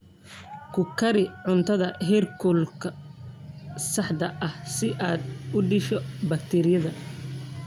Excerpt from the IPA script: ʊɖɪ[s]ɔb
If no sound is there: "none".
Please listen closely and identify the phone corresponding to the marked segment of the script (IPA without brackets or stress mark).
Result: ʃ